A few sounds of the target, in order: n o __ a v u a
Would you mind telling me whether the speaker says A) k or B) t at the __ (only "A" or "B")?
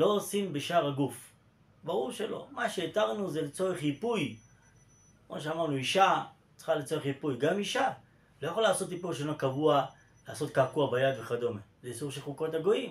A